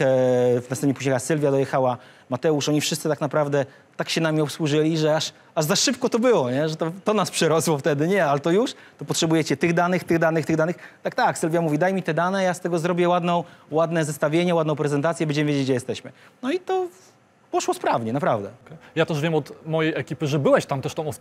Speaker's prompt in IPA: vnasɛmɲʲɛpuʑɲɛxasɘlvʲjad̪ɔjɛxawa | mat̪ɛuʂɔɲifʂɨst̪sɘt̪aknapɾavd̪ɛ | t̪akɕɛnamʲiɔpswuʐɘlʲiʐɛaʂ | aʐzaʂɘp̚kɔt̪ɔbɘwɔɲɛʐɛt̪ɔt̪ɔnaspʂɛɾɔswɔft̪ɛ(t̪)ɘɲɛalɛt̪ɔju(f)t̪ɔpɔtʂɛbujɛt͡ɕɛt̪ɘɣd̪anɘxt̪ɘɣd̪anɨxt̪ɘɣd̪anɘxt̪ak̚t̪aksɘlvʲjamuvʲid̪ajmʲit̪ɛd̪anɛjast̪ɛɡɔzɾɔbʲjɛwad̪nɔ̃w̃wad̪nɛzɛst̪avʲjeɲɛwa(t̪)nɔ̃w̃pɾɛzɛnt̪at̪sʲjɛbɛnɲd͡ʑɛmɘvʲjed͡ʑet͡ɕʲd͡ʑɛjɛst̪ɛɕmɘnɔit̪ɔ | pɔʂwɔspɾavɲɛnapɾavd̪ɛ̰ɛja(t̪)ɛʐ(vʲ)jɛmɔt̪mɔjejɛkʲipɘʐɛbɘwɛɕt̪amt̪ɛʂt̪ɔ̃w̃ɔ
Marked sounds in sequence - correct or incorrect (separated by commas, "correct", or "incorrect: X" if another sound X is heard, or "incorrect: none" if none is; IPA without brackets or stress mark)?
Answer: incorrect: d̪, incorrect: ʂ, incorrect: d̪, correct, correct